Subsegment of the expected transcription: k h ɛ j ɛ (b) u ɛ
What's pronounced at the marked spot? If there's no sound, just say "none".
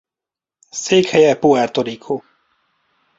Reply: p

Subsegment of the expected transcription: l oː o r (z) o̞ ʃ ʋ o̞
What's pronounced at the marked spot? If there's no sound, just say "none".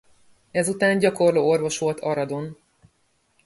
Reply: v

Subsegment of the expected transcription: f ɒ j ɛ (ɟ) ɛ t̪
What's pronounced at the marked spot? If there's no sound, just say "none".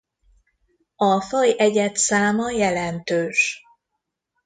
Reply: ɟ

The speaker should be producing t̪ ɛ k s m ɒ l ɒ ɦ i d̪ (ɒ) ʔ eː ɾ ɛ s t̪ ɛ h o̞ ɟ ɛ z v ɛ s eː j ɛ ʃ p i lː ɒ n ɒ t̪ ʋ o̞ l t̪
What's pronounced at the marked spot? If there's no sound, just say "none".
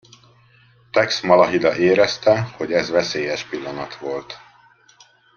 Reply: ɒ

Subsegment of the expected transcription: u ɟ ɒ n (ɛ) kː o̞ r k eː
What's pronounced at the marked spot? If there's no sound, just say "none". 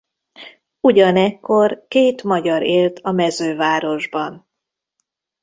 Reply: ɛ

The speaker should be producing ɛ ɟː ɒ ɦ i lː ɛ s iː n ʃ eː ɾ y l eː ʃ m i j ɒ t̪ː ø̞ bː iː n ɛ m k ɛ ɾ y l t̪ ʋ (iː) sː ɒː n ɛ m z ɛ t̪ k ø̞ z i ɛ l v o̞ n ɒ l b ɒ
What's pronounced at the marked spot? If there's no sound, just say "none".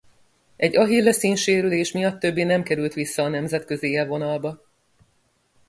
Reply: i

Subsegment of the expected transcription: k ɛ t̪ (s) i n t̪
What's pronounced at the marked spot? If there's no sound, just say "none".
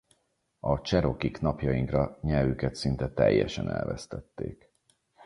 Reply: s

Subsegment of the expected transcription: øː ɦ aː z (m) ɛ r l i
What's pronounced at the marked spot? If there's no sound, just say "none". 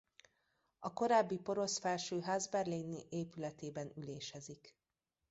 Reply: b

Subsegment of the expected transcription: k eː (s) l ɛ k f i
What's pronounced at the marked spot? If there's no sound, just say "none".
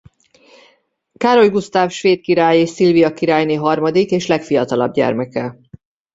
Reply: ʃ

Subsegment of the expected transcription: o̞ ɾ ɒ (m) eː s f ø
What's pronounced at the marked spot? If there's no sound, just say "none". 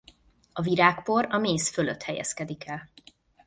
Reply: m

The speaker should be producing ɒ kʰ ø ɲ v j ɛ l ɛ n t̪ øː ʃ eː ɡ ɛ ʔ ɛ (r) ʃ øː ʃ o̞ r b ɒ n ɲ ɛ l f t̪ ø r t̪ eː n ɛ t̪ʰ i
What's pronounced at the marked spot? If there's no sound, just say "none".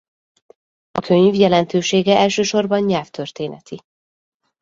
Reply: l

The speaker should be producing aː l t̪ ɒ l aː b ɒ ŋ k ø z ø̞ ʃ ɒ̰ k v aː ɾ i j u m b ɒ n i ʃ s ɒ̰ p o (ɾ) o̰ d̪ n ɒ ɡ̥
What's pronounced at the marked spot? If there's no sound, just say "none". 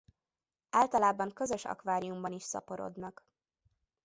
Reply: ɾ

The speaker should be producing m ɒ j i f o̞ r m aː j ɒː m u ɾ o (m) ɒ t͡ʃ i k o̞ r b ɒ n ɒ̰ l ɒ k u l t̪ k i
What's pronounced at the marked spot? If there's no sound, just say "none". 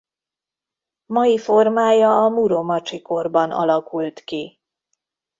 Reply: m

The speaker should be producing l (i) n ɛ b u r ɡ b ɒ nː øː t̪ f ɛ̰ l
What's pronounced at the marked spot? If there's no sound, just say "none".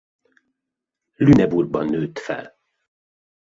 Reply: y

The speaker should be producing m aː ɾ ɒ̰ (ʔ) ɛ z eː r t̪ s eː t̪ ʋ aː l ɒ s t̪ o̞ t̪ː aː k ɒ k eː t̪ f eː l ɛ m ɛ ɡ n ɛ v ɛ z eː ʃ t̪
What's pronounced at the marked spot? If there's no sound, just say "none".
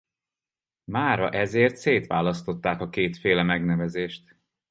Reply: ʔ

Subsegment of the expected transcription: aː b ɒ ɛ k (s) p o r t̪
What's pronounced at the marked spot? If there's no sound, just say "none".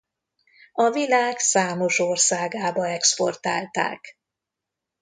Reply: s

